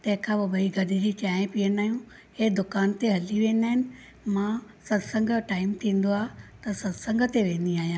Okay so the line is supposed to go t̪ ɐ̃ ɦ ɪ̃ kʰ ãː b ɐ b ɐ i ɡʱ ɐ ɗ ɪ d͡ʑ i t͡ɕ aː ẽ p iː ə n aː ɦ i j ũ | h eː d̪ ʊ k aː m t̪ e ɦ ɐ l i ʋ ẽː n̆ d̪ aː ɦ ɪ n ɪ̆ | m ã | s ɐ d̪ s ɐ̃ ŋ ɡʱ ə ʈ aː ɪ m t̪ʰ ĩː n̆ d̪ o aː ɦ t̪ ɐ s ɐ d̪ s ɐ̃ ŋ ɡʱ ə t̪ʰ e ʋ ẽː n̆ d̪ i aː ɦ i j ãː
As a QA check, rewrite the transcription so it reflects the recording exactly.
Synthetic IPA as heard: t̪ ɐ̃ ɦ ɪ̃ kʰ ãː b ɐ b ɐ i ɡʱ ɐ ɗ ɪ d͡ʑ i t͡ɕ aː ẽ p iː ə n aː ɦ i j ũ | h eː d̪ ʊ k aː n t̪ e ɦ ɐ l i ʋ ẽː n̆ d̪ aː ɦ ɪ n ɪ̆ | m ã | s ɐ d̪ s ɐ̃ ŋ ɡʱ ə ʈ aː ɪ m t̪ʰ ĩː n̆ d̪ o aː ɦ t̪ ɐ s ɐ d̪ s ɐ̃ ŋ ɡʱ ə t̪ e ʋ ẽː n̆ d̪ i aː ɦ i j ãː